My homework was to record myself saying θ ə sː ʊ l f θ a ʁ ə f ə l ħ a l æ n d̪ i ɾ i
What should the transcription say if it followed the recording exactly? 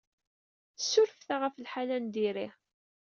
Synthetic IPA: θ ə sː ʊ ɾ f θ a ʁ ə f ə l ħ a l æ n d̪ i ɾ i